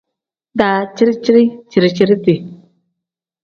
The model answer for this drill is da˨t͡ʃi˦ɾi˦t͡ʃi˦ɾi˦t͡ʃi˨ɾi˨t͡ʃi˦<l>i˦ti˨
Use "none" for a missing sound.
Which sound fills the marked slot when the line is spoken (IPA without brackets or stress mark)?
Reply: ɾ